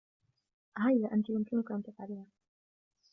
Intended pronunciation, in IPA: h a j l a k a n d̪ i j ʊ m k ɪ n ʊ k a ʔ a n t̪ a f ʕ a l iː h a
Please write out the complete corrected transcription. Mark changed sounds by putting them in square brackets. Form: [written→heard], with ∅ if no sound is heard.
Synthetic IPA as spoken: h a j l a [k→ʔ] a n [d̪→t̪] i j ʊ m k ɪ n ʊ k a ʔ a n t̪ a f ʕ a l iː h a